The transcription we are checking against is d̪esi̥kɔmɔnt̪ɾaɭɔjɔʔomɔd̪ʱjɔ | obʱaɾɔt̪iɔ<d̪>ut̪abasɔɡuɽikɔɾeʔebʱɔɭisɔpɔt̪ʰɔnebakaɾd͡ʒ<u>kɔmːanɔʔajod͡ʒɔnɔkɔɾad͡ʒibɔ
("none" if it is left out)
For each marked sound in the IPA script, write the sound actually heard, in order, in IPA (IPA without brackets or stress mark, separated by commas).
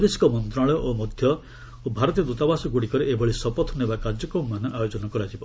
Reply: d̪, ɔ